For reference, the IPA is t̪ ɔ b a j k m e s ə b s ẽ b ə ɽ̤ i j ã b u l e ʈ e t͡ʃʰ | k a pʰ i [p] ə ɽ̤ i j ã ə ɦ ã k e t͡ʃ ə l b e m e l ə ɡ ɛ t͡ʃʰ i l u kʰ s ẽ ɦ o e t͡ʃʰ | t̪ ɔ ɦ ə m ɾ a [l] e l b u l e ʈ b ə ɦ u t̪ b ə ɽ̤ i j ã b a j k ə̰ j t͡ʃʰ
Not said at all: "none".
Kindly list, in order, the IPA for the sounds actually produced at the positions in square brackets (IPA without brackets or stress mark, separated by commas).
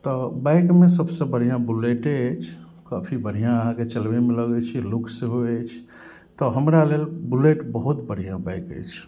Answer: b, l